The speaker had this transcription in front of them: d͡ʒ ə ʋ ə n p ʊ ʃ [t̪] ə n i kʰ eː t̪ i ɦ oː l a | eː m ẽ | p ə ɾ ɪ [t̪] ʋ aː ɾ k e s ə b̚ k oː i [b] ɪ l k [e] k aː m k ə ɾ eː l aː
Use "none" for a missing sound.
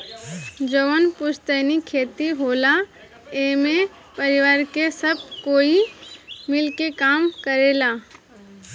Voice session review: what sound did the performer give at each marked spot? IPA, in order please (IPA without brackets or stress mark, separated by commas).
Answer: t̪, none, m, e